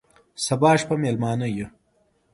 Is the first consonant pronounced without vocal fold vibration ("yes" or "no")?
yes